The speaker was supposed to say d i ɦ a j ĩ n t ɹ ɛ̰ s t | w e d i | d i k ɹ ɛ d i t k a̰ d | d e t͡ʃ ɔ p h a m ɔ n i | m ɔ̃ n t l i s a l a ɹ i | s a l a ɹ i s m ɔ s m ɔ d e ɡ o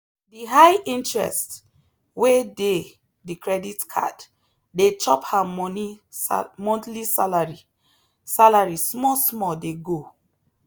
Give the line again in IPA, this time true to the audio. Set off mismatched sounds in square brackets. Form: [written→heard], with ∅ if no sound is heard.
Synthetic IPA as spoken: d i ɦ a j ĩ n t ɹ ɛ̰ s t | w e d [i→e] | d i k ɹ ɛ d i t [k→kʰ] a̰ d | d e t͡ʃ ɔ p h a m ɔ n i | m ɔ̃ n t l i s a l a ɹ i | s a l a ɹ i s m ɔ s m ɔ d e ɡ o